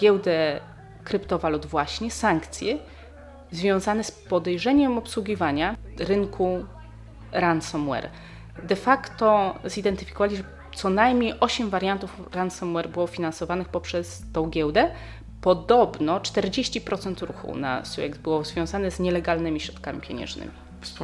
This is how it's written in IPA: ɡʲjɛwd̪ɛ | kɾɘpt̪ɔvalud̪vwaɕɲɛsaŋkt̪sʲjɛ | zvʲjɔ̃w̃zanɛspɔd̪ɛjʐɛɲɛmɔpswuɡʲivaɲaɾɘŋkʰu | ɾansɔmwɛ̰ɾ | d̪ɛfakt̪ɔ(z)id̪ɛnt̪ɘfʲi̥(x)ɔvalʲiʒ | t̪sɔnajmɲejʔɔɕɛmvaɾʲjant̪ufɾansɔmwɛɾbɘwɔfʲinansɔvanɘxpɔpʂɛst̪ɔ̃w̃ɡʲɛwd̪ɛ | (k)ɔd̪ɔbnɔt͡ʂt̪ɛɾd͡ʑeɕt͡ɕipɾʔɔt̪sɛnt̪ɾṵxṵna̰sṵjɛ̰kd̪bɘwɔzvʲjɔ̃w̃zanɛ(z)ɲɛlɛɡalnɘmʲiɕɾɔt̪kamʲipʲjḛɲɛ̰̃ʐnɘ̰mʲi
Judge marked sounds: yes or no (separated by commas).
yes, no, no, yes